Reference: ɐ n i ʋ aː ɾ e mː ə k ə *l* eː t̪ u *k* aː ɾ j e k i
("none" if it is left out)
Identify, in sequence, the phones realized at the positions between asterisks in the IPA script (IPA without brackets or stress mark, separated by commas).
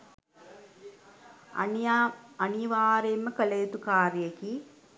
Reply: l, k